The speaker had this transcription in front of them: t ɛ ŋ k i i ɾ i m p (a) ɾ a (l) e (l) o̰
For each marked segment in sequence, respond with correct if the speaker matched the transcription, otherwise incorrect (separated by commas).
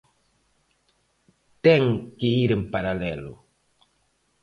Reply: correct, correct, correct